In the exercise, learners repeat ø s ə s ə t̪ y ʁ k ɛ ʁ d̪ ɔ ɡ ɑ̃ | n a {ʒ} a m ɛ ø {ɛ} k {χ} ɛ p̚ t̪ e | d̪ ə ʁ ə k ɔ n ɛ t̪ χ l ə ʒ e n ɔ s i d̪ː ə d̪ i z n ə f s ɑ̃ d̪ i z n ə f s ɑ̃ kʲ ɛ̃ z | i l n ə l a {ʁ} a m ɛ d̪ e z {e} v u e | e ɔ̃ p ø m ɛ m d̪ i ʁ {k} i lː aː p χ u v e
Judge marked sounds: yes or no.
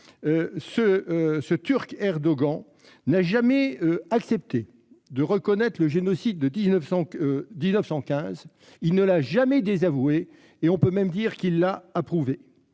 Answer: yes, no, no, no, no, yes

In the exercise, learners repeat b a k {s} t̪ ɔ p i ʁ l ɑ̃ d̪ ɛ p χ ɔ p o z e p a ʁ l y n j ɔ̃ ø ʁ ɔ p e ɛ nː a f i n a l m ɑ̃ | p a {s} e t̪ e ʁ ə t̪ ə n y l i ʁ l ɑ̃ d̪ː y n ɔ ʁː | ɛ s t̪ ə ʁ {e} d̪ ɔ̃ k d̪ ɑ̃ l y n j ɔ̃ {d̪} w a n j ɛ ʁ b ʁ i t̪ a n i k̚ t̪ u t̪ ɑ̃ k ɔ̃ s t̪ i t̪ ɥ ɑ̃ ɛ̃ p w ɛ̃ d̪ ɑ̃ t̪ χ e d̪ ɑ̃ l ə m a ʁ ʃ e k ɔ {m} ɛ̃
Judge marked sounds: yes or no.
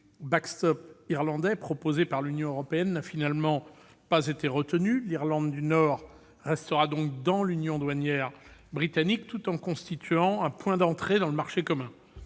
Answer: yes, no, no, yes, yes

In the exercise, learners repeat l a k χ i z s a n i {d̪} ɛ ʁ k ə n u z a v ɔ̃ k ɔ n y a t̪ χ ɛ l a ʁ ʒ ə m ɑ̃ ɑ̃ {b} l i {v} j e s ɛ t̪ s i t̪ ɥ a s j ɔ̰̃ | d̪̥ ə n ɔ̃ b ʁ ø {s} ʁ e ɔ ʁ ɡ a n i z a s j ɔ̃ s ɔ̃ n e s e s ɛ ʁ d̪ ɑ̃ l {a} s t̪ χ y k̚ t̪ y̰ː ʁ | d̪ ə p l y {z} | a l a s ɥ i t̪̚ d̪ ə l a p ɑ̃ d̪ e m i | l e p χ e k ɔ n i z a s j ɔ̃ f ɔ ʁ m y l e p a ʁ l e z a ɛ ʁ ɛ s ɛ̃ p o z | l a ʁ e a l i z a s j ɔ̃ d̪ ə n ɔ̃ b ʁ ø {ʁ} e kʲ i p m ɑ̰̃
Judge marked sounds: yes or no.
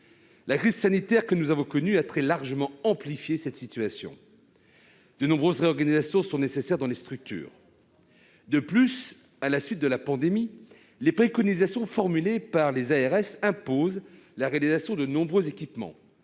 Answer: no, no, no, no, no, no, no

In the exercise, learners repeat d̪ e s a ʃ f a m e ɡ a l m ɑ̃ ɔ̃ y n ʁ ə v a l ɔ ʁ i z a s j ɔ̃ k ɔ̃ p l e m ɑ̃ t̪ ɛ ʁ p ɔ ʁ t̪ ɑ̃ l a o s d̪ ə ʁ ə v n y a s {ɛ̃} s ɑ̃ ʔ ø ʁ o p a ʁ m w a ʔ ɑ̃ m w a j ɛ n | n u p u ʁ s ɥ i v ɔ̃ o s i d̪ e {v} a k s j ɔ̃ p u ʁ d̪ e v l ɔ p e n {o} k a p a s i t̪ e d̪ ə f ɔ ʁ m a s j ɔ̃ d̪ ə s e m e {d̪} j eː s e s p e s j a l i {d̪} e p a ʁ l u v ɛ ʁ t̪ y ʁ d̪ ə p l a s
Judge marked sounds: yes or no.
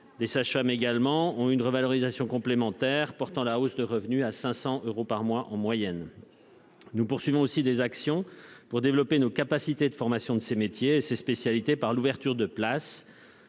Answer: yes, no, yes, no, no

